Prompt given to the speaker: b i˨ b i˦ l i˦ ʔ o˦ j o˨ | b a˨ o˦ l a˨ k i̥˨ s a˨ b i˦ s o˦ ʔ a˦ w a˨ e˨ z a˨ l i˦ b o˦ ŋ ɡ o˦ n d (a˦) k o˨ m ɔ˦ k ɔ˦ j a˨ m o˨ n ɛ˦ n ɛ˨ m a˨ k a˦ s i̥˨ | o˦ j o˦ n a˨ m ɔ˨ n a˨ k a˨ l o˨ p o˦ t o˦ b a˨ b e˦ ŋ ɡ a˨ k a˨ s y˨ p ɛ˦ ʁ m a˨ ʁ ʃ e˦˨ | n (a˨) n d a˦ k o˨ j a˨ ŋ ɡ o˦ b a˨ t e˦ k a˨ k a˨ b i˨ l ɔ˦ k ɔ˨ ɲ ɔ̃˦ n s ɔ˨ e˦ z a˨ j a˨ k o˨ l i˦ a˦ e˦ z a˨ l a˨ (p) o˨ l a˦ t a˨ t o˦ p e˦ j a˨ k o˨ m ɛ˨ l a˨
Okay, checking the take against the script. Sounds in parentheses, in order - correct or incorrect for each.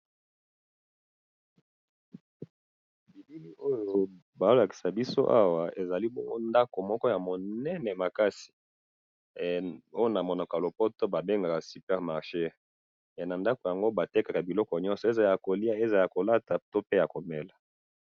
correct, correct, incorrect: k

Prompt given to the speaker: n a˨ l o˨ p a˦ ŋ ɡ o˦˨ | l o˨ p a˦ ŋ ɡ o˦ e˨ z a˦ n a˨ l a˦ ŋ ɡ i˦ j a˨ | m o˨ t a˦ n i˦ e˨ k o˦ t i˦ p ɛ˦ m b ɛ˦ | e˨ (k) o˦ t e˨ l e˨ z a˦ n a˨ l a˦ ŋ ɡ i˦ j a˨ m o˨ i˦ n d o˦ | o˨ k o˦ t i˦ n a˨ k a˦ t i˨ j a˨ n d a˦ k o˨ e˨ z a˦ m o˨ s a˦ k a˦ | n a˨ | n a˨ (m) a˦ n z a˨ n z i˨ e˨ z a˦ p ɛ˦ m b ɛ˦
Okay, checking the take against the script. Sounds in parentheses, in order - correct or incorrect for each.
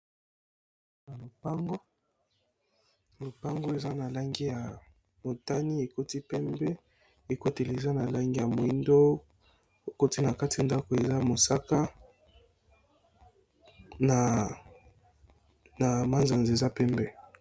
correct, correct

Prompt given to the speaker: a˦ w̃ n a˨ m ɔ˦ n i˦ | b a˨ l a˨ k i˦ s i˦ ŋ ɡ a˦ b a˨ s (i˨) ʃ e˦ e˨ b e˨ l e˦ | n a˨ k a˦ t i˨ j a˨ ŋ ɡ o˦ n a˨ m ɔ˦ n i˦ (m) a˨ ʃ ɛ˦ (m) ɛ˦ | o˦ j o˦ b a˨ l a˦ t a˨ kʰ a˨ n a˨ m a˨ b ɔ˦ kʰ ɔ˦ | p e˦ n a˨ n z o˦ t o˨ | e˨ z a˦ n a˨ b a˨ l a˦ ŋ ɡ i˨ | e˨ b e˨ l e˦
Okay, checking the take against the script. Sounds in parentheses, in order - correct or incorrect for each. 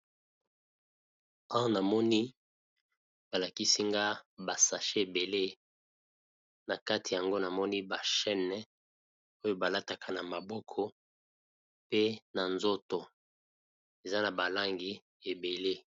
incorrect: a˨, incorrect: b, incorrect: n

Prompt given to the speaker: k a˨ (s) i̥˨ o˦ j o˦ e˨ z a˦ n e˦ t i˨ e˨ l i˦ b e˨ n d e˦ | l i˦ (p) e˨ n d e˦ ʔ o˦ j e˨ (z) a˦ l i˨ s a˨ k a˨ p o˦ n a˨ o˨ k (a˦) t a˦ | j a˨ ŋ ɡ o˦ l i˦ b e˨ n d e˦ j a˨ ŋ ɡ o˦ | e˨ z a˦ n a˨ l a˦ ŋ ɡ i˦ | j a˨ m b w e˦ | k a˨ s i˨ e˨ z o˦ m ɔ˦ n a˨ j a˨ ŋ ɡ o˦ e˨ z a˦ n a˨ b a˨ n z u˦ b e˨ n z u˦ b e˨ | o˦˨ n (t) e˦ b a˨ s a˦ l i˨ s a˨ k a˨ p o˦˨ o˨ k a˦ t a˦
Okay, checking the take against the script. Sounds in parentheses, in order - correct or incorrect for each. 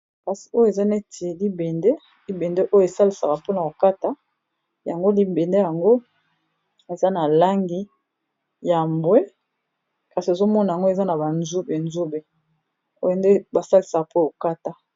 correct, incorrect: b, incorrect: s, correct, incorrect: d

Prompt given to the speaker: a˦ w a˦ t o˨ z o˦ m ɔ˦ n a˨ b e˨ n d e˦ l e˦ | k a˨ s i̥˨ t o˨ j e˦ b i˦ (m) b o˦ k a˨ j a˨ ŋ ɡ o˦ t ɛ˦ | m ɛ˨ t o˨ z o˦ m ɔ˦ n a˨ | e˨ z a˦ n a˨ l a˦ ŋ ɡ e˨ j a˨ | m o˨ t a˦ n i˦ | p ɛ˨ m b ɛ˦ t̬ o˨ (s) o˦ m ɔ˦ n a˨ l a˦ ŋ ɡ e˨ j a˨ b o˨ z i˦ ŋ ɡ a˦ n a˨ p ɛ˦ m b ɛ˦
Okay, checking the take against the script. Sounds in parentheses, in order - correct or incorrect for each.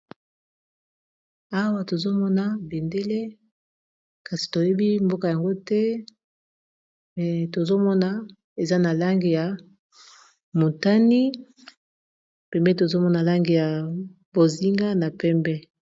correct, incorrect: z

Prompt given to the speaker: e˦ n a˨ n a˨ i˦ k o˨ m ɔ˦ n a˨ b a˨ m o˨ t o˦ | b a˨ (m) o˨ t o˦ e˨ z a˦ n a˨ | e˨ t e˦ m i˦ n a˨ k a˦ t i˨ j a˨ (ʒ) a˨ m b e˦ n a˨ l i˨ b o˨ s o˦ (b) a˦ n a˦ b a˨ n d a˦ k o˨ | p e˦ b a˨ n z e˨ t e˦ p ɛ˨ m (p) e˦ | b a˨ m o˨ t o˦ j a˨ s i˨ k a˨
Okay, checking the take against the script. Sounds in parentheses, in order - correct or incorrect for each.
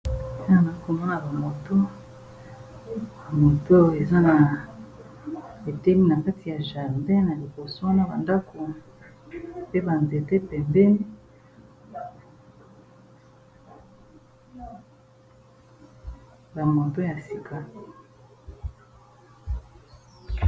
correct, correct, incorrect: w, incorrect: b

